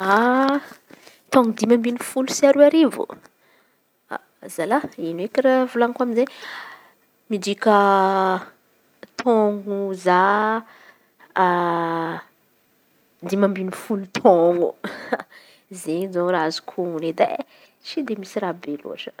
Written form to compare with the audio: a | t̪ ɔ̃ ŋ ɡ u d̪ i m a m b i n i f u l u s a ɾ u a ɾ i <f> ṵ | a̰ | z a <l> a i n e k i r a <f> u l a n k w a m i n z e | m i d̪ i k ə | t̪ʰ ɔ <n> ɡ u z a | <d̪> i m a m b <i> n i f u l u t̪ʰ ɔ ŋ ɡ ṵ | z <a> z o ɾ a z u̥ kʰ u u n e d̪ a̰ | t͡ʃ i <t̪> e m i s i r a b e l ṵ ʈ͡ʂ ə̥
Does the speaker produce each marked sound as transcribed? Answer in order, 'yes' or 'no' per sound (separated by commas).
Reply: no, yes, no, no, yes, yes, no, no